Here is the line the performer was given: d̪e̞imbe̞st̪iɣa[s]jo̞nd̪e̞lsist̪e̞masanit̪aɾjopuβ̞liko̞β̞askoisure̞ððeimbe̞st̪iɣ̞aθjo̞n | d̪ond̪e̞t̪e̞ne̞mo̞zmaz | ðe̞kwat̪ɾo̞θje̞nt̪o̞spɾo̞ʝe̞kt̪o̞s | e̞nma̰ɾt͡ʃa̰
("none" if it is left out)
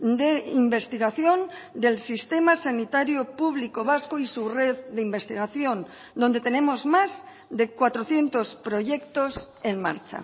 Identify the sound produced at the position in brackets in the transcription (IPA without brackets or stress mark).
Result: θ